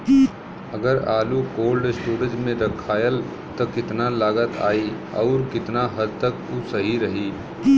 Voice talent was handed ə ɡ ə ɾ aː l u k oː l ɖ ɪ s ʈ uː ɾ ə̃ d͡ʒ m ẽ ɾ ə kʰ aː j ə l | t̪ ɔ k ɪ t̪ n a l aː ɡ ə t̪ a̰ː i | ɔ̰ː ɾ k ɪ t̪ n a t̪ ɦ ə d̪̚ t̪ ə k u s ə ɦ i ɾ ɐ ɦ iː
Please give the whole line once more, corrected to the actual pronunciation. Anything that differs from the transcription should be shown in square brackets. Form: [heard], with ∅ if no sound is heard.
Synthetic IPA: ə ɡ ə ɾ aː l u k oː l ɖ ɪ s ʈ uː ɾ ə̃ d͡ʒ m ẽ ɾ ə kʰ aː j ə l | t̪ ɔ k ɪ t̪ n a l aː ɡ ə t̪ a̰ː i | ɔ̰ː ɾ k ɪ t̪ n a [∅] ɦ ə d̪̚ t̪ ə k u s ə ɦ i ɾ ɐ ɦ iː